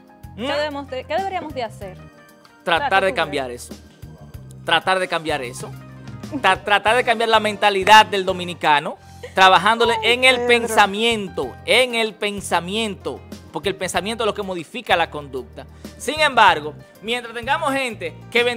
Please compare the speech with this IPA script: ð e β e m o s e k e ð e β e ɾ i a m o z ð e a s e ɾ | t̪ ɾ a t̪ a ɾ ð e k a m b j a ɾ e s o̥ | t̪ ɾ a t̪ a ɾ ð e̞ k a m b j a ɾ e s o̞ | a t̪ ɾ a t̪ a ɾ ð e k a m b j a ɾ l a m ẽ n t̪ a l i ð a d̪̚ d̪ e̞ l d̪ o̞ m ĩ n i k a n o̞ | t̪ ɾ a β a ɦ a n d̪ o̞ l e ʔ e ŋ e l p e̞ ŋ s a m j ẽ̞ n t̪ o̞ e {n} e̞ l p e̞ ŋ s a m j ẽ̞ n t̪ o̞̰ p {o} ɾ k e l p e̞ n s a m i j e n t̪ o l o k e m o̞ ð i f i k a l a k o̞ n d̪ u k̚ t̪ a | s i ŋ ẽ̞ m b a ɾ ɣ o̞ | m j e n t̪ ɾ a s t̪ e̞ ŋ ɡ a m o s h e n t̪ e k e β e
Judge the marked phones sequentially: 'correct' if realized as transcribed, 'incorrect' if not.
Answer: incorrect, correct

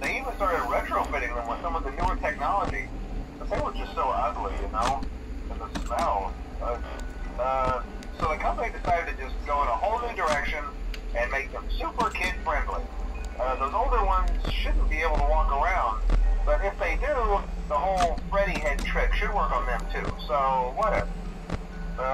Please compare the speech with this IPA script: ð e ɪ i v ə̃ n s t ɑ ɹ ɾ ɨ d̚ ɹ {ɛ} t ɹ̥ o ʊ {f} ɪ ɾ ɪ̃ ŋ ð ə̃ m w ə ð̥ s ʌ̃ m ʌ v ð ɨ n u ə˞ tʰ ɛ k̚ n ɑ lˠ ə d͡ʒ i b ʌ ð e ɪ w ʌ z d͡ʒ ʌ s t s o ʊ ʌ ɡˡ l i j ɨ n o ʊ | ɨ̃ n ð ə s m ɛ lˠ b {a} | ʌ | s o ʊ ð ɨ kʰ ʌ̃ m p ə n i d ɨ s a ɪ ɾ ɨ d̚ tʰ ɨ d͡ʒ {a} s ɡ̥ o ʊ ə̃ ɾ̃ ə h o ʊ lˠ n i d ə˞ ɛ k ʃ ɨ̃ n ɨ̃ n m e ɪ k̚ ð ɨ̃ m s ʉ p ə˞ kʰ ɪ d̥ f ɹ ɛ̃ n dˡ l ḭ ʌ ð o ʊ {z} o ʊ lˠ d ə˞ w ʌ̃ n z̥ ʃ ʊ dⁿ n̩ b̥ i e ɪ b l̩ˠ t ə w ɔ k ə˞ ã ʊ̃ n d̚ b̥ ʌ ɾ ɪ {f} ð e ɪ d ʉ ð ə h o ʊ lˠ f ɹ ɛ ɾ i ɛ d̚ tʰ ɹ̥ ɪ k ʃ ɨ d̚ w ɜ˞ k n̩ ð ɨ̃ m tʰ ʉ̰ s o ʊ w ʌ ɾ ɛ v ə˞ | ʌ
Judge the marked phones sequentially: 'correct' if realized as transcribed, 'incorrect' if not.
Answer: correct, correct, incorrect, incorrect, correct, correct

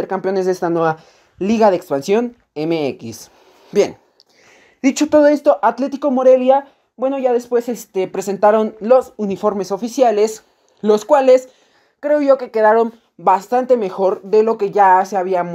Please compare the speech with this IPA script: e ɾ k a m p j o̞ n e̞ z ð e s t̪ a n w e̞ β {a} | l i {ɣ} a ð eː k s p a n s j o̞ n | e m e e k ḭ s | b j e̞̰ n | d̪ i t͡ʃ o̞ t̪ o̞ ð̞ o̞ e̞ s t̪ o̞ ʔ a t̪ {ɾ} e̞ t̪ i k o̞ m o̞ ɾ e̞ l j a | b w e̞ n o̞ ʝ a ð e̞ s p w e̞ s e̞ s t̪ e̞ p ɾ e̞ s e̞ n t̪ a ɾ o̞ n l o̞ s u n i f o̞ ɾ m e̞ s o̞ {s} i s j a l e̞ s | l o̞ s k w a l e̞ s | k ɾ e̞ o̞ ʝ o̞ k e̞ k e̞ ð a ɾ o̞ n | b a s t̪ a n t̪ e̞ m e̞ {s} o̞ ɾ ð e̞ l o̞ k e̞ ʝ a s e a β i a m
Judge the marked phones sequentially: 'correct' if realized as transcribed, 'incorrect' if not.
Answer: correct, correct, incorrect, incorrect, incorrect

